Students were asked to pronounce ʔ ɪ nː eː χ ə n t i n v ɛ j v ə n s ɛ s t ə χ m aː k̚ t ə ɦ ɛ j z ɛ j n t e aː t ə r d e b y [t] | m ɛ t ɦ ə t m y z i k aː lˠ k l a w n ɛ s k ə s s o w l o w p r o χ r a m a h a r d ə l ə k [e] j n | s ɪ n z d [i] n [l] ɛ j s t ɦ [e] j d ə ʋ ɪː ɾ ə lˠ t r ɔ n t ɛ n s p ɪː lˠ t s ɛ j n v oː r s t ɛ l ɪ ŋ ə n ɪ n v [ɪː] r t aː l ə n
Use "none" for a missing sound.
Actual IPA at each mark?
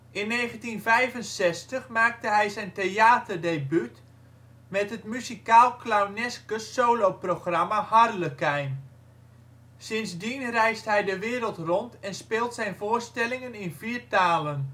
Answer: t, ɛ, i, r, ɛ, iː

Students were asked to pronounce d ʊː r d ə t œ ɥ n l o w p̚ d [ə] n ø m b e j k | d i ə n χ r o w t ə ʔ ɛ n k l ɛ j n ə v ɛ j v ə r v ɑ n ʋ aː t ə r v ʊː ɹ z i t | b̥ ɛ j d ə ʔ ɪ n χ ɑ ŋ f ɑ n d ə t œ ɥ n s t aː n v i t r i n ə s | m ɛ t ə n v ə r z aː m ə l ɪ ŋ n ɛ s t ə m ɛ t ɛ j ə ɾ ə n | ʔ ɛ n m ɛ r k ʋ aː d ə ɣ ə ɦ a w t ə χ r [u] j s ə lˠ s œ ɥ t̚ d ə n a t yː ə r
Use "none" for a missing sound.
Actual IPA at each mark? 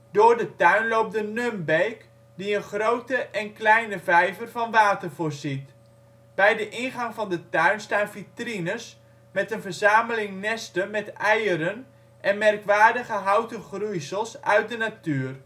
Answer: ə, u

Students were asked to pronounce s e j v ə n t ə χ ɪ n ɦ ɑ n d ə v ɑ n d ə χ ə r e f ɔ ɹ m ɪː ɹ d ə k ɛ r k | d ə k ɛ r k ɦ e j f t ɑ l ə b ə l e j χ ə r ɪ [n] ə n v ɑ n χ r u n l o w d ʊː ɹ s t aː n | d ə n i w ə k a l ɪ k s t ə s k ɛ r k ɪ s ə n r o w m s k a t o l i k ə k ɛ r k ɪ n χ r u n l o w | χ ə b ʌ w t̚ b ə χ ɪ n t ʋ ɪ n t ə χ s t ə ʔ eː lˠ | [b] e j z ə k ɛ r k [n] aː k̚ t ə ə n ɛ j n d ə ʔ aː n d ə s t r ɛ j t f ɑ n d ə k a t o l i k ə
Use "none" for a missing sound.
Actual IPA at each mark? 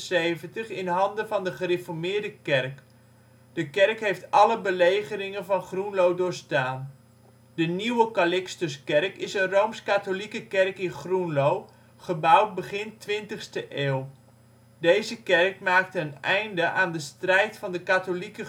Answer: ŋ, d, m

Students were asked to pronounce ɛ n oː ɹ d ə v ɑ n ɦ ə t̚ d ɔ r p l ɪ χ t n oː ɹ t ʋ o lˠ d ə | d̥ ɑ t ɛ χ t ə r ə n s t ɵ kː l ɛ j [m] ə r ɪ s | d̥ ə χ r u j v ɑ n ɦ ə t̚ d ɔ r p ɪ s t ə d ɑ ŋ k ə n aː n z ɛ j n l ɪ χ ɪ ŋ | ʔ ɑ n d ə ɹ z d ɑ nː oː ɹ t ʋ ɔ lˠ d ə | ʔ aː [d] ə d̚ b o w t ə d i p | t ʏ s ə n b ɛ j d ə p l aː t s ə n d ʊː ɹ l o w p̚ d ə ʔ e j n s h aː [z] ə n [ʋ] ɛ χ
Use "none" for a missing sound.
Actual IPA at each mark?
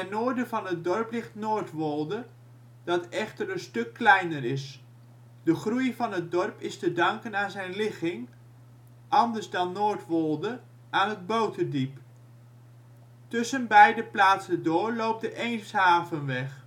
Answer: n, n, v, ʋ

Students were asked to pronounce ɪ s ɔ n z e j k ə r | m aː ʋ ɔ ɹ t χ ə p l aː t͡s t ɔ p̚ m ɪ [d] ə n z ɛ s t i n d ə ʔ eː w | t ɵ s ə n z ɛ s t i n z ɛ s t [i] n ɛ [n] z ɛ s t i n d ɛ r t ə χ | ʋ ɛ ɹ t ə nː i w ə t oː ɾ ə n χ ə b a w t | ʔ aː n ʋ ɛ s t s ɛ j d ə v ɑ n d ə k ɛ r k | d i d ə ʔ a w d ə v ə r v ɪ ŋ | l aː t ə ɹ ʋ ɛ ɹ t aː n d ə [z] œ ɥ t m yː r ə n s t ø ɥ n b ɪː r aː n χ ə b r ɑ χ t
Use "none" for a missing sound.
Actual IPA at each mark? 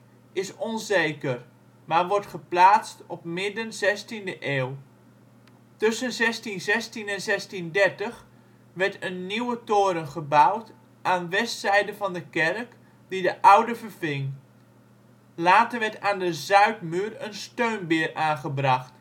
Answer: d, i, n, z

